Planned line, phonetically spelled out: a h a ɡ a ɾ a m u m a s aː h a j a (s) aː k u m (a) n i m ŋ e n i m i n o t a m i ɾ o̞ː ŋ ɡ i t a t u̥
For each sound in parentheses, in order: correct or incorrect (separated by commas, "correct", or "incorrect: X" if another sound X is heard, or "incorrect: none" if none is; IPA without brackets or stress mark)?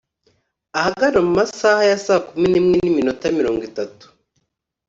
correct, incorrect: i